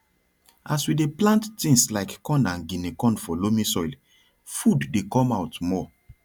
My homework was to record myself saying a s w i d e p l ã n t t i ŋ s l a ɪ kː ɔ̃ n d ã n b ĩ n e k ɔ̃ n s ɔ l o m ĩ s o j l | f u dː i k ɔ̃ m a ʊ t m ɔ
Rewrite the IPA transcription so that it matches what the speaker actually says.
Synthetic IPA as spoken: a s w i d e p l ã n t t ĩ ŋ s l a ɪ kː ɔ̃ n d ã n ɡ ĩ n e k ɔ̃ n f ɔ l o m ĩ s ɔ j l | f u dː e k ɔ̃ m a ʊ t m ɔ